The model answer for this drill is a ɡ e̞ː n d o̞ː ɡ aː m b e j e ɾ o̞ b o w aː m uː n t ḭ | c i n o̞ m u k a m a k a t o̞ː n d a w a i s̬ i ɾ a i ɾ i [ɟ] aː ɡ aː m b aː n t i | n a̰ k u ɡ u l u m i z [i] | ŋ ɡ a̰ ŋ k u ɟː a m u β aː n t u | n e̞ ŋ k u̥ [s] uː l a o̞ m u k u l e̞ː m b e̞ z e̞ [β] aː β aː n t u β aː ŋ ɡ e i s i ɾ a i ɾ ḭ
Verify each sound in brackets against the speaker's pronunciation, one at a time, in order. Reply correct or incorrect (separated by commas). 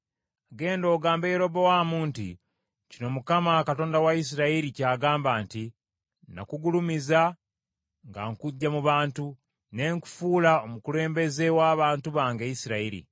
incorrect, incorrect, incorrect, incorrect